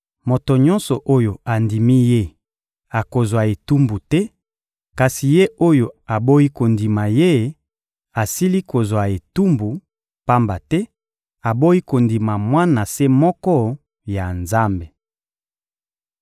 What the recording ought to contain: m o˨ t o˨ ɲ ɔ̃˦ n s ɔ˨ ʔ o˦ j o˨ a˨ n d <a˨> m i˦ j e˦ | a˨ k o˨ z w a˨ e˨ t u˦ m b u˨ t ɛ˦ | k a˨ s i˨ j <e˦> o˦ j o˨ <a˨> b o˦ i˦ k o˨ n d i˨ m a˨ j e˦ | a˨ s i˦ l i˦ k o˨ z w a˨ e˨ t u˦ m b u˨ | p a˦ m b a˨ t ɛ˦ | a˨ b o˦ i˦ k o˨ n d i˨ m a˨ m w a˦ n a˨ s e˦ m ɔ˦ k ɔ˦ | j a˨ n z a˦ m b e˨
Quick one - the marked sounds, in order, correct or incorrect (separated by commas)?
incorrect, correct, correct